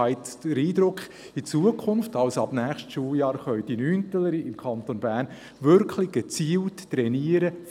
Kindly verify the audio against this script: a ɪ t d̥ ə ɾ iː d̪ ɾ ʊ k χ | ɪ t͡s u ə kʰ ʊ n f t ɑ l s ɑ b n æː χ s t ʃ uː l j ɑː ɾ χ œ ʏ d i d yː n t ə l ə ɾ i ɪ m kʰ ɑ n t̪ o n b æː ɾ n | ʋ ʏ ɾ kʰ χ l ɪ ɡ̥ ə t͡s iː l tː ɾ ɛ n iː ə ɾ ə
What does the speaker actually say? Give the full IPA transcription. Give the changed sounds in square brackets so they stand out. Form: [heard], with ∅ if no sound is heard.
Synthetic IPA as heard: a ɪ t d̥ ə ɾ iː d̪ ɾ ʊ k χ | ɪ t͡s u ə kʰ ʊ n f t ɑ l s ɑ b n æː χ [ʃ] t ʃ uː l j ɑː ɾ χ œ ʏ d i [n] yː n t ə l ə ɾ i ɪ m kʰ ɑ n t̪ o n b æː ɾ n | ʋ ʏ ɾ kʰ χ l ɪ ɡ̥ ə t͡s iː l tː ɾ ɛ n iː ə ɾ ə